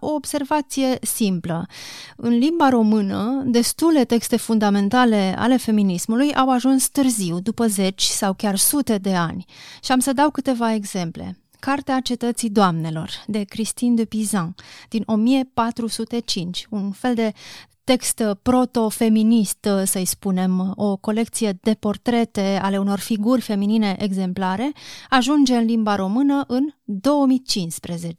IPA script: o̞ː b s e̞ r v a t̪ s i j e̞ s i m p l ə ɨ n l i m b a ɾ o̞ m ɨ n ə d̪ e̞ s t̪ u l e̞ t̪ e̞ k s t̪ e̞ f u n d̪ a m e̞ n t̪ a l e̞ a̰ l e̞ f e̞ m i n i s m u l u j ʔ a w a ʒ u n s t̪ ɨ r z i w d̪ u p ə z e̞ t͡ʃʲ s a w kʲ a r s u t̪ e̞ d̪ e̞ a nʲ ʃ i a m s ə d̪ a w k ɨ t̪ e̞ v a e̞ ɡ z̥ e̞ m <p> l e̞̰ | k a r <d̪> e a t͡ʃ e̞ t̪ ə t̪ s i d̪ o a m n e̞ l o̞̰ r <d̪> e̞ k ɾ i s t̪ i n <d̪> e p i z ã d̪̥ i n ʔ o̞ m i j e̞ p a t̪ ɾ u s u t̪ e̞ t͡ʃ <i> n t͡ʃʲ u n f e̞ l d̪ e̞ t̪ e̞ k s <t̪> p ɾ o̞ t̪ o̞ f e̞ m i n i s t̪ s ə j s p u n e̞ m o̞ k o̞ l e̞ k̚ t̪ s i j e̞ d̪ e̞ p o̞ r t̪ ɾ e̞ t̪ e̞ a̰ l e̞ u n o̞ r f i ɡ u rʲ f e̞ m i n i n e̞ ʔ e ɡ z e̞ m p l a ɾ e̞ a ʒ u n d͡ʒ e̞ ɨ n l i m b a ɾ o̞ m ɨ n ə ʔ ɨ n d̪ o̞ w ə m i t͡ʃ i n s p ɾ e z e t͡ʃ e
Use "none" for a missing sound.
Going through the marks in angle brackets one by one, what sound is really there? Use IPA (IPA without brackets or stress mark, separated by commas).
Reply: p, t̪, d̪, d̪, i, t̪